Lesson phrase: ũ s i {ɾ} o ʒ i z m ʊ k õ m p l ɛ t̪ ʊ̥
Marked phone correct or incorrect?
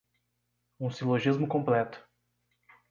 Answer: incorrect